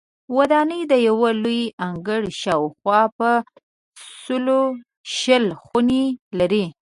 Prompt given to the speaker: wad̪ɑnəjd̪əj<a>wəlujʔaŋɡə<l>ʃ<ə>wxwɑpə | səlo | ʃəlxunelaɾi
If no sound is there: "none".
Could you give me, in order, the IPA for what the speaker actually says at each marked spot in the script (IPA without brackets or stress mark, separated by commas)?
a, ɽ, ɑ